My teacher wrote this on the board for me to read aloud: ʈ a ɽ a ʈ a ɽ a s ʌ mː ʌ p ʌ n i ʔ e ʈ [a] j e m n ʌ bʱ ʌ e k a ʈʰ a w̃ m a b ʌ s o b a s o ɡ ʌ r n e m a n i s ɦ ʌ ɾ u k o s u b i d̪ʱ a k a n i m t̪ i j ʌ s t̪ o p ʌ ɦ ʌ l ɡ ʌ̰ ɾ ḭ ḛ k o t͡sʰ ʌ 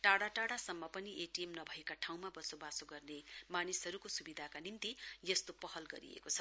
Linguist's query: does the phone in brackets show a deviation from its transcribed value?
yes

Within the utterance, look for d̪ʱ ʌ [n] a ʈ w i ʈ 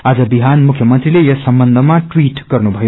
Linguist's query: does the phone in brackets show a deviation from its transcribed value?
yes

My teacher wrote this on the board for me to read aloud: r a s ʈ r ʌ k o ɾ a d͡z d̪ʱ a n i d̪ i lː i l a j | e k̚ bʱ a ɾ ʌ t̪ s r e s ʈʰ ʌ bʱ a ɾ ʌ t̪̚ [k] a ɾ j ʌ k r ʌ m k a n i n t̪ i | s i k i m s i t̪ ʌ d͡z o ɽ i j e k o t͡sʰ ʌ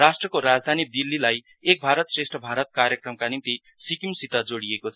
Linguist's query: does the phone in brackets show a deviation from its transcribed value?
no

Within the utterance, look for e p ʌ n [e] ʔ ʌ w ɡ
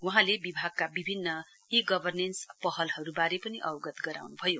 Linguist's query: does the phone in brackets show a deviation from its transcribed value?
yes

